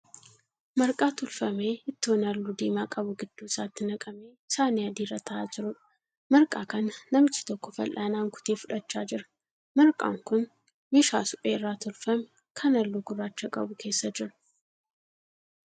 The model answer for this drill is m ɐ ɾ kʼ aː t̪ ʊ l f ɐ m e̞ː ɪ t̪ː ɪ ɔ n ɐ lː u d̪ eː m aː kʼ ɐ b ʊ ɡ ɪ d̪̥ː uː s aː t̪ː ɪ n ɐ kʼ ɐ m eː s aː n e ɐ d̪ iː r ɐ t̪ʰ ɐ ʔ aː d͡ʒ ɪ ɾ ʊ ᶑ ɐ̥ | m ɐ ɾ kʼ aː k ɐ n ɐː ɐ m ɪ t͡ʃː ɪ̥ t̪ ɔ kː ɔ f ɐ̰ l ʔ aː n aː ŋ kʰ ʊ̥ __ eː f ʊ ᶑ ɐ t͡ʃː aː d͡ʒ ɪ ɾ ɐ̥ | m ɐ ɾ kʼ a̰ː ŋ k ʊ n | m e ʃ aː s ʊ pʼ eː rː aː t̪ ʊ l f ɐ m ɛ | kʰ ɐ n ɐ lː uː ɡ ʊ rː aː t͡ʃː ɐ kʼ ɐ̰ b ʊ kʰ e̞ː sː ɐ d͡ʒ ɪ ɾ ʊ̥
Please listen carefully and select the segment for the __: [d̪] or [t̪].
t̪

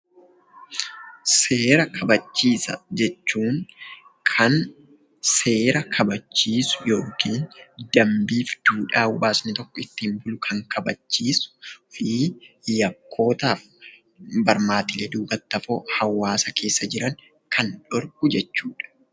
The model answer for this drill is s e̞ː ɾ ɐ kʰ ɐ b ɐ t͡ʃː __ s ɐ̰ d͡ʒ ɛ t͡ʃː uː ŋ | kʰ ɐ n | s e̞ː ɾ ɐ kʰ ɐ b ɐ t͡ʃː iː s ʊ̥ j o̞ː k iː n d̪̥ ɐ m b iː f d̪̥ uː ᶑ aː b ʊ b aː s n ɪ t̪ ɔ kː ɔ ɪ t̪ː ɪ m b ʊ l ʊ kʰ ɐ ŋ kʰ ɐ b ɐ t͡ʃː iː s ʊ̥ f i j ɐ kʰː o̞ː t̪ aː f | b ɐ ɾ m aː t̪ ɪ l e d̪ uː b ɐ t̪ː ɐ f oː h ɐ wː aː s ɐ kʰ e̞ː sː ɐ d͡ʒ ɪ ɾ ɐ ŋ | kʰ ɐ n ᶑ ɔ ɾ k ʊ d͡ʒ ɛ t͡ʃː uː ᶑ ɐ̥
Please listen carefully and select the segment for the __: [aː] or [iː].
iː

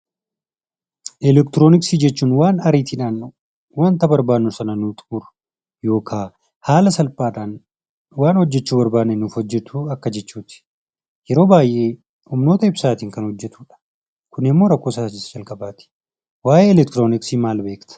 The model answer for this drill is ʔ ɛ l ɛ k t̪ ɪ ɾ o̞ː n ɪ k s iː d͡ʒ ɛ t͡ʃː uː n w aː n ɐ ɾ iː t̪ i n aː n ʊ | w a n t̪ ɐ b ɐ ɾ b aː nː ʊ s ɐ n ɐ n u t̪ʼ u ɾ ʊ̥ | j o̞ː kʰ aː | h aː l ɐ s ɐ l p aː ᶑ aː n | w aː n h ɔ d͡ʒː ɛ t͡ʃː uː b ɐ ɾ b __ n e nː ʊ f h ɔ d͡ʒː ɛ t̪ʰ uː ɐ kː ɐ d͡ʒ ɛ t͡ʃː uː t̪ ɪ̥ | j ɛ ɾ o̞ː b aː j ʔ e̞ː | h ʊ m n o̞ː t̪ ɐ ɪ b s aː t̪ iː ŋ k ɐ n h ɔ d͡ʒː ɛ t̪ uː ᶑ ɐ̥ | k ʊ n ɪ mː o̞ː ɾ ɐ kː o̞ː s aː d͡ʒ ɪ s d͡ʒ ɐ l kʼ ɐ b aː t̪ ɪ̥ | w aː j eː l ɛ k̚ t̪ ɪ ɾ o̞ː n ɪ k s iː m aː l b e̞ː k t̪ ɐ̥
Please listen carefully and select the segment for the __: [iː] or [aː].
aː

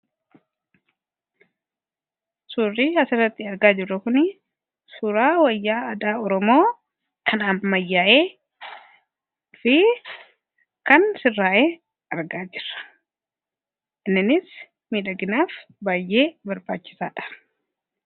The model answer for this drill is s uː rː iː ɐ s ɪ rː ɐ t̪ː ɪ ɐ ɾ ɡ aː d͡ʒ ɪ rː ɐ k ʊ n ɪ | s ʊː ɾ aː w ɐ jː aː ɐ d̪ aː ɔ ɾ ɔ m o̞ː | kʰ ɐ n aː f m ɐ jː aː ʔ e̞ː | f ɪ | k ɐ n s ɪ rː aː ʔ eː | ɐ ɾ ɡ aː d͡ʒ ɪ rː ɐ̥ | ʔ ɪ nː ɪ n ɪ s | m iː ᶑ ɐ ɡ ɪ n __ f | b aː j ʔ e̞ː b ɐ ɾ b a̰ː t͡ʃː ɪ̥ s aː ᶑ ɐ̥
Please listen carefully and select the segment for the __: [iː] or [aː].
aː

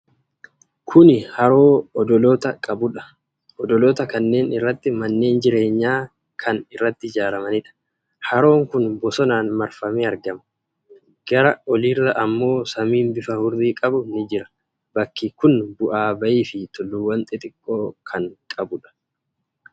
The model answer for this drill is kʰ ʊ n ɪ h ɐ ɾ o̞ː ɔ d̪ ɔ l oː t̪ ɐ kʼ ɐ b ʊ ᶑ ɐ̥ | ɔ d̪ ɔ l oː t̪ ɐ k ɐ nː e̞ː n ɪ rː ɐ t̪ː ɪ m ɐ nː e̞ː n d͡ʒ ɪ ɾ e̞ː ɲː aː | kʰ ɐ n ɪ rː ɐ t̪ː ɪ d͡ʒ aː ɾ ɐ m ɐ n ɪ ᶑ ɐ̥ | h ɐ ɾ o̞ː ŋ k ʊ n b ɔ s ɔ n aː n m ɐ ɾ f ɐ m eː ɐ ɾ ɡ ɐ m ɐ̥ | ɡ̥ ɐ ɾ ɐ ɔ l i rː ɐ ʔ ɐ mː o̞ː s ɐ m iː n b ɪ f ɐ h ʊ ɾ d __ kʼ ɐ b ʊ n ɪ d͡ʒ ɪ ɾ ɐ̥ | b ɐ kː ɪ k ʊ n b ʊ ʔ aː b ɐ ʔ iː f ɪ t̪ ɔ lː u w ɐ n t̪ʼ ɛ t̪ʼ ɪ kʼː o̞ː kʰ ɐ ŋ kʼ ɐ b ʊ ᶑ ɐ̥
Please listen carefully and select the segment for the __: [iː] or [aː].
iː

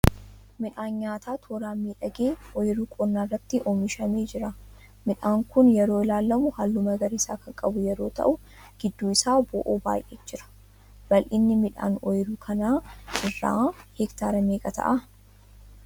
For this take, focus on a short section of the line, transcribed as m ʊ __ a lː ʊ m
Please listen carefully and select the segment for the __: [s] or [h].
h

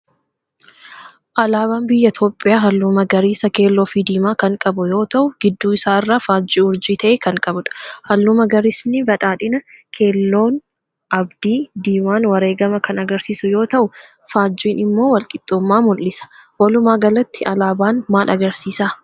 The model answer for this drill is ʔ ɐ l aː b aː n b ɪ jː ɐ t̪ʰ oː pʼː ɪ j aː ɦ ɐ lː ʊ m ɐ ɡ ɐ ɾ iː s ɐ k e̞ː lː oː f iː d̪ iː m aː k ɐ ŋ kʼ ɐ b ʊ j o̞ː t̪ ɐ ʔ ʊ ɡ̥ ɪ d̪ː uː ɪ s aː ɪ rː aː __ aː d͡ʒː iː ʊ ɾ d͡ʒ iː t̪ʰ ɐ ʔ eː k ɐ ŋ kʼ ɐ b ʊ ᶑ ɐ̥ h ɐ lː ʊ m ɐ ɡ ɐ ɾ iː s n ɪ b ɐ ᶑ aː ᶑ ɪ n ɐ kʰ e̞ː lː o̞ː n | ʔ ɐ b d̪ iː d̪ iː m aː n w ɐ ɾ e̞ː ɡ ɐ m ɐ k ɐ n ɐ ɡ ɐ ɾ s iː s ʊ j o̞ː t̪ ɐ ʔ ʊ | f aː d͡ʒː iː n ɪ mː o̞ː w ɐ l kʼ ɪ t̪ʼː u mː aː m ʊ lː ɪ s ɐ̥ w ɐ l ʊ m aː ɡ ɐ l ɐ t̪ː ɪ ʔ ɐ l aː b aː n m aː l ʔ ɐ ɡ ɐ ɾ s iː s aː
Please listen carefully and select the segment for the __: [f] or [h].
f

